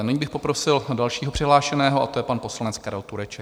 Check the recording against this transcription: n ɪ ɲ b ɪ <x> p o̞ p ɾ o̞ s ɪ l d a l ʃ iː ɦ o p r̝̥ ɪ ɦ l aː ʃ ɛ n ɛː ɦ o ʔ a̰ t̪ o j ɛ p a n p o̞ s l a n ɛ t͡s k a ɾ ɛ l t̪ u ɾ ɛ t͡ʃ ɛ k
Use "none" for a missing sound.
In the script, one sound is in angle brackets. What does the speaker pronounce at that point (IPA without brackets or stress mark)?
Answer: x